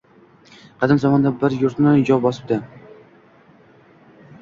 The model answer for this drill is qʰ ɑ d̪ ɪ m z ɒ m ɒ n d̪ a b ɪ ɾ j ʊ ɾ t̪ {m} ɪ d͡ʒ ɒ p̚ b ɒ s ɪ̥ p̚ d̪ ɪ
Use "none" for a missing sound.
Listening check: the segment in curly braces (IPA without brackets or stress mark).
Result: n